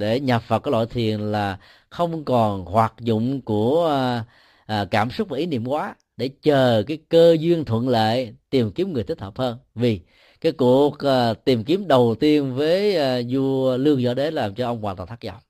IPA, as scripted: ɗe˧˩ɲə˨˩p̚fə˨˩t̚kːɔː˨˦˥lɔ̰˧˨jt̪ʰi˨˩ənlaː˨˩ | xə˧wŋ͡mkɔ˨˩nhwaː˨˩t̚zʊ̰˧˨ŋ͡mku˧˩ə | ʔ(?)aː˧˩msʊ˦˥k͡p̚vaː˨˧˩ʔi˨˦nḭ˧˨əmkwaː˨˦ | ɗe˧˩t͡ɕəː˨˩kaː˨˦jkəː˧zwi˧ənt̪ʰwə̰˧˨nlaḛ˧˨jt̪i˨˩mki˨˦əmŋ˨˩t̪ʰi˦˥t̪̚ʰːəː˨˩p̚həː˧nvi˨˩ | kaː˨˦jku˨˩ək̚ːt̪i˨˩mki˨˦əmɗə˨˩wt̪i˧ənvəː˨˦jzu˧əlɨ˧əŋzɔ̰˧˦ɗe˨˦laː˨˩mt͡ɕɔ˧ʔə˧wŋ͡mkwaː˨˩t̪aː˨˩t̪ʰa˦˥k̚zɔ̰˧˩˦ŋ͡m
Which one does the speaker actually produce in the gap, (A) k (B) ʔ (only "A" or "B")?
A